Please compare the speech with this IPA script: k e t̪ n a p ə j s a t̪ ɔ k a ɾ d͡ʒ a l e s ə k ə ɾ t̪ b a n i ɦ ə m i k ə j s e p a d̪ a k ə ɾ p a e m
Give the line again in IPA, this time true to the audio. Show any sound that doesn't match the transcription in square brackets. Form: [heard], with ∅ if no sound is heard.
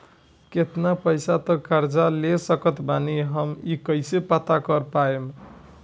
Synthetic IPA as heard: k e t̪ n a p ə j s a t̪ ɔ k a ɾ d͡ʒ a l e s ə k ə [∅] t̪ b a n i ɦ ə m i k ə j s e p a [t̪] a k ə ɾ p a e m